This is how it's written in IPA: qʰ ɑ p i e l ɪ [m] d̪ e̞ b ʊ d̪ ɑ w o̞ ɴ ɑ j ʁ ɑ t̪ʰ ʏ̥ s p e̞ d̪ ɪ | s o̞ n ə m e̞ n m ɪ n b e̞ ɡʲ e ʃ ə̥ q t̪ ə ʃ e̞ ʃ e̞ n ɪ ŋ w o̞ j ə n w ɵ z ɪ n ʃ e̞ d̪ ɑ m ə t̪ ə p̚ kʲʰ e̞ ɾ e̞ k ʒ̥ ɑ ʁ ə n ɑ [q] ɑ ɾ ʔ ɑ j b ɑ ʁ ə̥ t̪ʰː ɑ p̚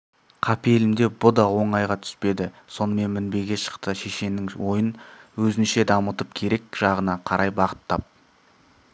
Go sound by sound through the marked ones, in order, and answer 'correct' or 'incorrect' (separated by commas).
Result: correct, incorrect